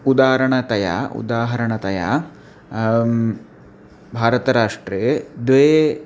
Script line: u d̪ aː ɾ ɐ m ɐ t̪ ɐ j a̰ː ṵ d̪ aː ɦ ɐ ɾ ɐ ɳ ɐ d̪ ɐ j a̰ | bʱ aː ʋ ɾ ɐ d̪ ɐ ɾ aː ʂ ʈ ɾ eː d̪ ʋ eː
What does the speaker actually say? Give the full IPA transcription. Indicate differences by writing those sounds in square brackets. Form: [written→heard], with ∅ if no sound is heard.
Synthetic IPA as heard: u d̪ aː ɾ ɐ [m→ɳ] ɐ t̪ ɐ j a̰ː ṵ d̪ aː ɦ ɐ ɾ ɐ ɳ ɐ [d̪→t̪] ɐ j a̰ | bʱ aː [ʋ→∅] ɾ ɐ [d̪→t̪] ɐ ɾ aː ʂ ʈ ɾ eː d̪ ʋ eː